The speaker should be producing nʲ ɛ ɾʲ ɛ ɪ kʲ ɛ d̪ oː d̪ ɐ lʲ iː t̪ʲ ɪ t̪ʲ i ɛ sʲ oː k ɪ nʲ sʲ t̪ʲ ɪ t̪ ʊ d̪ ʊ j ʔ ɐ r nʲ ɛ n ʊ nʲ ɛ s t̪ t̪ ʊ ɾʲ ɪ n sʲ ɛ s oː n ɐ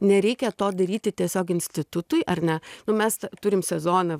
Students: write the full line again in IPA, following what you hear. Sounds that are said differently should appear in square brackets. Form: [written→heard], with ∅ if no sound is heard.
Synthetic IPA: nʲ ɛ ɾʲ ɛ ɪ kʲ ɛ [d̪→t̪] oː d̪ ɐ [lʲ→ɾʲ] iː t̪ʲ ɪ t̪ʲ i ɛ sʲ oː k ɪ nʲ sʲ t̪ʲ ɪ t̪ ʊ [d̪→t̪] ʊ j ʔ ɐ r nʲ ɛ n ʊ [nʲ→mʲ] ɛ s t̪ t̪ ʊ ɾʲ ɪ [n→m] sʲ ɛ [s→z] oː n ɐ